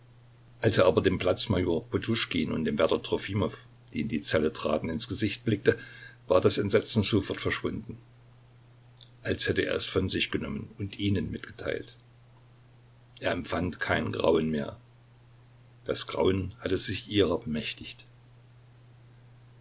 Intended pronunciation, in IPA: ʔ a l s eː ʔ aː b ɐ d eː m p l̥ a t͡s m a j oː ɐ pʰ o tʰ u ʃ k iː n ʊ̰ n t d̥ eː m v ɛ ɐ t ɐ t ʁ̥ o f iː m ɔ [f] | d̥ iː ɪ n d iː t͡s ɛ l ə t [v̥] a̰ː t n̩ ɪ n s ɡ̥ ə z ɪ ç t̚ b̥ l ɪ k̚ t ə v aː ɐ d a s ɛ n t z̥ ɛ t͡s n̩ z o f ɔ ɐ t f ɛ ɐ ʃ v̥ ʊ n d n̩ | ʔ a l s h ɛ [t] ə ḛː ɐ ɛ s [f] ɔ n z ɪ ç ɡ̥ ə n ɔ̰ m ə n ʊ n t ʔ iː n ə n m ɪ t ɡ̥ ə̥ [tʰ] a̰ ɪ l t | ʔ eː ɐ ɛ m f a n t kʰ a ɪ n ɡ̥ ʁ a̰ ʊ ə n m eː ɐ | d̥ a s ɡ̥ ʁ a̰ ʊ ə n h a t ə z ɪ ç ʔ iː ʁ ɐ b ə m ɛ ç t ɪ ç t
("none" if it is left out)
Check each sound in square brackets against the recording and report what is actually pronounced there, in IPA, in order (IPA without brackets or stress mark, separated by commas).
f, ʁ̥, t, f, tʰ